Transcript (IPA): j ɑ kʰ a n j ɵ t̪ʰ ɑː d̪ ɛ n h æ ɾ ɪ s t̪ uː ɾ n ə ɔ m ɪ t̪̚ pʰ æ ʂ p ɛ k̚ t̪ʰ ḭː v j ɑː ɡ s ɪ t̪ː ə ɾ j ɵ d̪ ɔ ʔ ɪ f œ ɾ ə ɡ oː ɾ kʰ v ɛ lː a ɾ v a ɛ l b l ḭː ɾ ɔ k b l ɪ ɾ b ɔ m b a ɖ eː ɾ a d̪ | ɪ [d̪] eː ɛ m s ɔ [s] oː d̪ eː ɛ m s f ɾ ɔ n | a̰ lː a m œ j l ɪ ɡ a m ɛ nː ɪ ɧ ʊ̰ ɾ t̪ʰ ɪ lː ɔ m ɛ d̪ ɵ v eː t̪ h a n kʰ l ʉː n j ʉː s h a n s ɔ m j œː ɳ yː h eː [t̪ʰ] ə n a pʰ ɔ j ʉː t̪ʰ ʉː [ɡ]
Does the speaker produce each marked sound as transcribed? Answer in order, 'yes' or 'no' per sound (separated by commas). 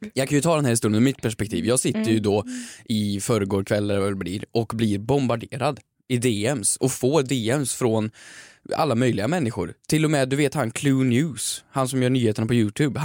yes, no, no, no